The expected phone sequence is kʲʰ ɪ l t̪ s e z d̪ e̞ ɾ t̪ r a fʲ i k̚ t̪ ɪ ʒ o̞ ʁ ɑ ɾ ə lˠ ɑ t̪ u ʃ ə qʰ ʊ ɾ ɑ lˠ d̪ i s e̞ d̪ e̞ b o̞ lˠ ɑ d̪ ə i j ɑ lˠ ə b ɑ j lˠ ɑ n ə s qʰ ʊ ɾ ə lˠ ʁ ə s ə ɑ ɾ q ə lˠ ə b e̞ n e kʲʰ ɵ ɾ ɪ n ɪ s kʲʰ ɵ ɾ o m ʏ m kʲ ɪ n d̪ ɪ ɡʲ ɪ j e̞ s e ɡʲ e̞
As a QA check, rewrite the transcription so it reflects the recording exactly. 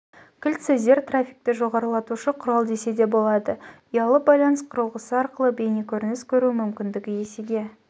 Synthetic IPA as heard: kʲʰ ɪ l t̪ s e z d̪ e̞ ɾ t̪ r a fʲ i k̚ t̪ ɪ ʒ o̞ ʁ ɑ ɾ ə lˠ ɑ t̪ u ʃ ə qʰ ʊ ɾ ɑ lˠ d̪ e s e̞ d̪ e̞ b o̞ lˠ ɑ d̪ ə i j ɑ lˠ ə b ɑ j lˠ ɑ n ə s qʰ ʊ ɾ ə lˠ ʁ ə s ə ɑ ɾ q ə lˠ ə b e̞ n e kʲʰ ɵ ɾ ɪ n ɪ s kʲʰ ɵ ɾ u m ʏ m kʲ ɪ n d̪ ɪ ɡʲ ɪ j e̞ s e ɡʲ e̞

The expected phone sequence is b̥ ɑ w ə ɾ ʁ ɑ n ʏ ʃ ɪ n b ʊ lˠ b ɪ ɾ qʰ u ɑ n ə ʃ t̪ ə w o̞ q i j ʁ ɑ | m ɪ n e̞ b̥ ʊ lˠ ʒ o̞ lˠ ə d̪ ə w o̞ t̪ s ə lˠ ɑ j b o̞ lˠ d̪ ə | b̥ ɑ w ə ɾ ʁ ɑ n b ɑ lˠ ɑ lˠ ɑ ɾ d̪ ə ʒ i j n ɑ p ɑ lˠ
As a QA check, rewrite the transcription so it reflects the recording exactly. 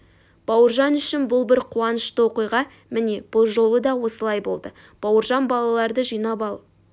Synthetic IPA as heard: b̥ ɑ w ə ɾ ʒ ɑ n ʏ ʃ ɪ n b ʊ lˠ b ɪ ɾ qʰ u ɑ n ə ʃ t̪ ə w o̞ q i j ʁ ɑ | m ɪ n e̞ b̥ ʊ lˠ ʒ o̞ lˠ ə d̪ ɑ w o̞ s ə lˠ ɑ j b o̞ lˠ d̪ ə | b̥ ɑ w ə ɾ ʒ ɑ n b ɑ lˠ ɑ lˠ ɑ ɾ d̪ ə ʒ i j n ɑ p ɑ lˠ

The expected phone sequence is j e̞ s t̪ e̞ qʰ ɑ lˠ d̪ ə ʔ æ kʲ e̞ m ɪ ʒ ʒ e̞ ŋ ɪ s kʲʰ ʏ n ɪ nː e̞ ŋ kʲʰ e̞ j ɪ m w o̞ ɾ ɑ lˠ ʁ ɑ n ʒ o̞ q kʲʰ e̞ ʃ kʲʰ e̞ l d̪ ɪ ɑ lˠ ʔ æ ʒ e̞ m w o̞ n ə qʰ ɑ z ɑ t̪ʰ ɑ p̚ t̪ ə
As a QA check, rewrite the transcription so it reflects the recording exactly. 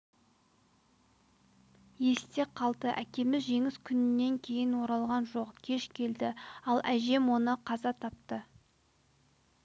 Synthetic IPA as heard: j e̞ s t̪ e̞ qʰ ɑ lˠ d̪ ə ʔ æ kʲ e̞ m ɪ z ʒ e̞ ŋ ɪ s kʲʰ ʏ n ɪ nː e̞ ŋ kʲʰ e̞ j ɪ n w o̞ ɾ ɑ lˠ ʁ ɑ n ʒ o̞ q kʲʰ e̞ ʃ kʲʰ e̞ l d̪ ɪ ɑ lˠ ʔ æ ʒ e̞ m w o̞ n ə qʰ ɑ z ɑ t̪ʰ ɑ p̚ t̪ ə

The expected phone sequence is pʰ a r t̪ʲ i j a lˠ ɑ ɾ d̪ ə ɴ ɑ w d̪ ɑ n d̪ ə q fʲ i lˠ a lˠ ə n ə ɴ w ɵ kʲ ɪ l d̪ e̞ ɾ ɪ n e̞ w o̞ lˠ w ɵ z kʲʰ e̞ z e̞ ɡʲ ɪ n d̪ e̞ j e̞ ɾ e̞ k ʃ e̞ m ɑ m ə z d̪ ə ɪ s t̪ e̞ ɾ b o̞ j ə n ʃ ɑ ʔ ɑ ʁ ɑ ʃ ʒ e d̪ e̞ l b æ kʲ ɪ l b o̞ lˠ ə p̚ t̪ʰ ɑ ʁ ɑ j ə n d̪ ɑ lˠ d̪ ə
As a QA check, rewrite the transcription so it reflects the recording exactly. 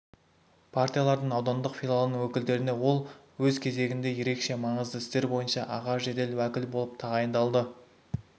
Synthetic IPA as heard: pʰ a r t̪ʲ i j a lˠ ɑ ɾ d̪ ə ɴ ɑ w d̪ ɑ n d̪ ə q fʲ i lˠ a lˠ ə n ə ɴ w ɵ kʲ ɪ l d̪ e̞ ɾ ɪ n e̞ w o̞ lˠ w ɵ z kʲʰ e̞ z e̞ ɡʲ ɪ n d̪ e̞ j e̞ ɾ e̞ k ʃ e̞ m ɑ ɴ ə z d̪ ə ɪ s t̪ e̞ ɾ b o̞ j ə n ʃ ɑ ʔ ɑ ʁ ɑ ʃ ʒ e d̪ e̞ l w æ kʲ ɪ l b o̞ lˠ ə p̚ t̪ʰ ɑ ʁ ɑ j ə n d̪ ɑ lˠ d̪ ə

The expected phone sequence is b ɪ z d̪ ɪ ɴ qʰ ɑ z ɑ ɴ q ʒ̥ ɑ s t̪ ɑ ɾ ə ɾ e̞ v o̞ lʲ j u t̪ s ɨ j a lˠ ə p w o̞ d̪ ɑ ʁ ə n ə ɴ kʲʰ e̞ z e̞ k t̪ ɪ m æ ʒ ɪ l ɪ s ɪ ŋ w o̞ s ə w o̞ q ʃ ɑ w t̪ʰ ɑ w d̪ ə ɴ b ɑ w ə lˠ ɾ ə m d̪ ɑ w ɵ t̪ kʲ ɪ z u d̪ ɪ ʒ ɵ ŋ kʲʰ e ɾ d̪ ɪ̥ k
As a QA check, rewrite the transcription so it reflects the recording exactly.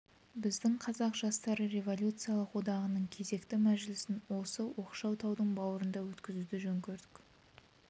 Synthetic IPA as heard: b ɪ z d̪ ɪ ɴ qʰ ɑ z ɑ q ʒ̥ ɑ s t̪ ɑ ɾ ə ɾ e̞ v o̞ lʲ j u t̪ s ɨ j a lˠ ə q w o̞ d̪ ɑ ʁ ə n ə ɴ kʲʰ e̞ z e̞ k t̪ ɪ m æ ʒ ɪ l ɪ s ɪ n w o̞ s ə w o̞ q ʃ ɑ w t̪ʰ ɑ w d̪ ə ɴ b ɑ w ə ɾ ə n d̪ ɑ w ɵ t̪ kʲ ɪ z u d̪ ɪ ʒ ɵ ŋ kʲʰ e ɾ d̪ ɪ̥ k

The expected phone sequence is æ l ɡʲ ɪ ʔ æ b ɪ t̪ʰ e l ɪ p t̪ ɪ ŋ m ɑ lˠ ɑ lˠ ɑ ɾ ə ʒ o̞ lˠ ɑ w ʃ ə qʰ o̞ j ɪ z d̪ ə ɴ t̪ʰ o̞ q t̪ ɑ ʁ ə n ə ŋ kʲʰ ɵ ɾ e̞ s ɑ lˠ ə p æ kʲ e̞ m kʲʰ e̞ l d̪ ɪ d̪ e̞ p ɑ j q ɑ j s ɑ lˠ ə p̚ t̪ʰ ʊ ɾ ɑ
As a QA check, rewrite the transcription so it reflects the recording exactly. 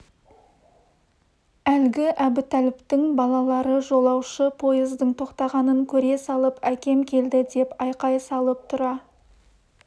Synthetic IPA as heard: æ l ɡʲ ɪ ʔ æ b ɪ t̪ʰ æ l ɪ p t̪ ɪ ŋ b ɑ lˠ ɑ lˠ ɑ ɾ ə ʒ o̞ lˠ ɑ w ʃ ə pʰ o̞ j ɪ z d̪ ə ɴ t̪ʰ o̞ q t̪ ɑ ʁ ɑ n ə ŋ kʲʰ ɵ ɾ e̞ s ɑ lˠ ə p æ kʲ e̞ m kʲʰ e̞ l d̪ ɪ d̪ e̞ p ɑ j q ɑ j s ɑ lˠ ə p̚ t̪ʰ ʊ ɾ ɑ

